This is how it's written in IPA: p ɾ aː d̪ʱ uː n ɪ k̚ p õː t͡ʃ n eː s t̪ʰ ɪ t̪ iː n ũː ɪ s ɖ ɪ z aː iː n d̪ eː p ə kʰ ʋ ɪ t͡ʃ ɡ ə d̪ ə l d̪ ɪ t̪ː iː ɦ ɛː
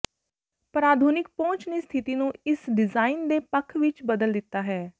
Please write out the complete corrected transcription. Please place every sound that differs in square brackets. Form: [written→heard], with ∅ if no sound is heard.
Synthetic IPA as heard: p ɾ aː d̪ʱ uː n ɪ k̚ p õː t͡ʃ n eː s t̪ʰ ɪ t̪ iː n ũː ɪ s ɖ ɪ z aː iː n d̪ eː p ə kʰ ʋ ɪ t͡ʃ [ɡ→b] ə d̪ ə l d̪ ɪ t̪ː [iː→aː] ɦ ɛː